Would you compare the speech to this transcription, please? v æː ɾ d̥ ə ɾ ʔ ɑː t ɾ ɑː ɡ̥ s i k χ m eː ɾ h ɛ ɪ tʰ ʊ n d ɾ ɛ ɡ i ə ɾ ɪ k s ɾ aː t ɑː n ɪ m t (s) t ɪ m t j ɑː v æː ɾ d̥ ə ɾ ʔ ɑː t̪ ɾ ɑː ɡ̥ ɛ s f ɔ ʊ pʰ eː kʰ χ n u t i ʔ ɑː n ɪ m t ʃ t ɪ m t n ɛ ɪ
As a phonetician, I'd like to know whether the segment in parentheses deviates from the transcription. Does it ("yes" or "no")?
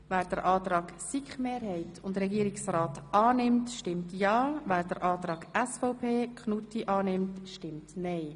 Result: yes